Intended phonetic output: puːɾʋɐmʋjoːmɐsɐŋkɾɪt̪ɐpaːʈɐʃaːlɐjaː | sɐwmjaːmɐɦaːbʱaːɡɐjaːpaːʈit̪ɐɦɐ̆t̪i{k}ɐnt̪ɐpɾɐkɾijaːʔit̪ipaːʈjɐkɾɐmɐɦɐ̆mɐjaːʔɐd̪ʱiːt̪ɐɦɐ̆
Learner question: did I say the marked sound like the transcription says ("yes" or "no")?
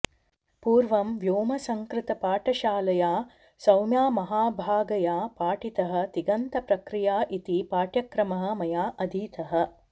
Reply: no